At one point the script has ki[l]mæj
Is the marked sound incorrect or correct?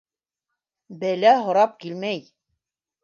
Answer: correct